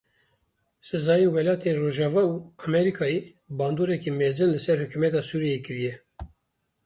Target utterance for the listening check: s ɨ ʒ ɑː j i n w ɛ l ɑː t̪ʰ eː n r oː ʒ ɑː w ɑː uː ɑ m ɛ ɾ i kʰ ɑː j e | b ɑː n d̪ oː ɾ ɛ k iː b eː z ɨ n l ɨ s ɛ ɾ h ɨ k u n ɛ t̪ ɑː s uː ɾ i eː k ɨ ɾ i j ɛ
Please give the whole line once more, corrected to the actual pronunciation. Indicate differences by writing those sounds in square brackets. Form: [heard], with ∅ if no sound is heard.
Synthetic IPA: s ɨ [z] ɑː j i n w ɛ l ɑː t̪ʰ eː n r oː ʒ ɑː [v] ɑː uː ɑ m ɛ ɾ i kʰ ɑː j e | b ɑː n d̪ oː ɾ ɛ k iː [m] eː z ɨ n l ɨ s ɛ ɾ h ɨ k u [m] ɛ t̪ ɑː s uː ɾ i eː k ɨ ɾ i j ɛ